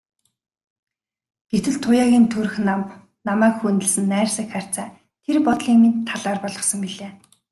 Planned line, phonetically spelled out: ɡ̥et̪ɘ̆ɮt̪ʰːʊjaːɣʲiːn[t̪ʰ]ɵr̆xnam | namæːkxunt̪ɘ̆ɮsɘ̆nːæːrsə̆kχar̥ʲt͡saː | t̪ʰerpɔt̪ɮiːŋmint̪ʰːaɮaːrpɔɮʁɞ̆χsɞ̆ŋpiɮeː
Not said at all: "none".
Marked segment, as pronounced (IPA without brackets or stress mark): t̪ʰ